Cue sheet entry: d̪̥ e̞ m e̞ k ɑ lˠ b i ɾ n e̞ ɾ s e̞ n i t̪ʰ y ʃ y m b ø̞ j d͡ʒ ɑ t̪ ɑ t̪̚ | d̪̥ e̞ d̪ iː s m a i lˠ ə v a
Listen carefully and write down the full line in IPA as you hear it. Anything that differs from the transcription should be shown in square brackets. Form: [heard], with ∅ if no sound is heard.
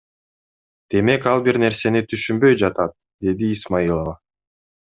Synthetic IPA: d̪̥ e̞ m e̞ k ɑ lˠ b i ɾ n e̞ ɾ s e̞ n i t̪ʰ y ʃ y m b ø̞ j d͡ʒ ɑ t̪ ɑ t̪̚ | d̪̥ e̞ d̪ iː s m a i lˠ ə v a